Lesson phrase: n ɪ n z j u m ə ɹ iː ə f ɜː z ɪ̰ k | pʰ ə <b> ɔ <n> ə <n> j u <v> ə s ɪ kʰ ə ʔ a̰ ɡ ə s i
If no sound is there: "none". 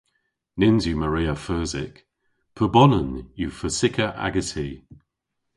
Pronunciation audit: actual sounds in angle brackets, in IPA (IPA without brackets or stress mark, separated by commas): b, n, n, f